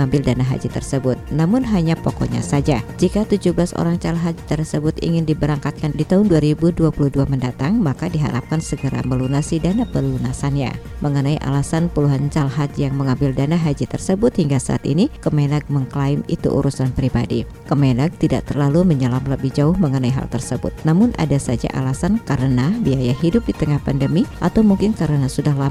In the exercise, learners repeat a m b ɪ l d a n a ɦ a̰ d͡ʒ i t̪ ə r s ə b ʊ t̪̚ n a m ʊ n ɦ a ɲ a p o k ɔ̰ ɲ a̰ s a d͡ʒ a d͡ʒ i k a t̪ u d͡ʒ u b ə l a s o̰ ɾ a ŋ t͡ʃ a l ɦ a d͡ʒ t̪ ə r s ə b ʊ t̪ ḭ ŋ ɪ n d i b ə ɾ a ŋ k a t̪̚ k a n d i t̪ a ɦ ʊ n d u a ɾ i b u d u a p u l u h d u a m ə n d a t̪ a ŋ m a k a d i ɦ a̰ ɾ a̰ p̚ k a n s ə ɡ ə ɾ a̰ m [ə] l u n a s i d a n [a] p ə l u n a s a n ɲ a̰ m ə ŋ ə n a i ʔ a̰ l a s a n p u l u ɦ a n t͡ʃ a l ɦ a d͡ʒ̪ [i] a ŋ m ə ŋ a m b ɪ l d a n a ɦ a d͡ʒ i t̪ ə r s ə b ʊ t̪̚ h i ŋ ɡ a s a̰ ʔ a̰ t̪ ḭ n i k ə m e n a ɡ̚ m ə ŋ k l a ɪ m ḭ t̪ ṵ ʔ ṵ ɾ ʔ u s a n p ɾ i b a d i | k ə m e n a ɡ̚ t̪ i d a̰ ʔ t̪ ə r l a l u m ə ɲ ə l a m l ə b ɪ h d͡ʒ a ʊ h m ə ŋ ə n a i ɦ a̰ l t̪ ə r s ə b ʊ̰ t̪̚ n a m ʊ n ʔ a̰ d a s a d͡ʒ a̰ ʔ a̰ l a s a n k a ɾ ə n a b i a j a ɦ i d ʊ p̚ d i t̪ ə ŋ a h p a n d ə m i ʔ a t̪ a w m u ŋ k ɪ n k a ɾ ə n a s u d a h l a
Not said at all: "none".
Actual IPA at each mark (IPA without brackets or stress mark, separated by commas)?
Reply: ə, a, j